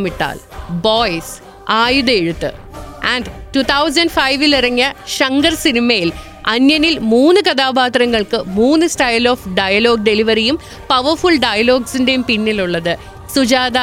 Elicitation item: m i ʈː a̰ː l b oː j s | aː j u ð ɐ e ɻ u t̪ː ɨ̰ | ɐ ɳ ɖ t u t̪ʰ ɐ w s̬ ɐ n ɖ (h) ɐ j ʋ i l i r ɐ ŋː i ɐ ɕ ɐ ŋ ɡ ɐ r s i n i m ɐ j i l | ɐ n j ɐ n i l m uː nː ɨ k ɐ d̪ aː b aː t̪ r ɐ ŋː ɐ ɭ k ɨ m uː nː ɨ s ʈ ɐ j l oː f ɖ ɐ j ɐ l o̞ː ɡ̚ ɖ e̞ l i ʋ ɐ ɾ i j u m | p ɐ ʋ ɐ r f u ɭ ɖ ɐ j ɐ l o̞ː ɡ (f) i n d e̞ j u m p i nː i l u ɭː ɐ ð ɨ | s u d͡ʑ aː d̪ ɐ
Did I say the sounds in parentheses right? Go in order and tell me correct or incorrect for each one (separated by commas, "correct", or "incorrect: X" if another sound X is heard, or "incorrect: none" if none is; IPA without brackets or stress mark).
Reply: incorrect: f, incorrect: s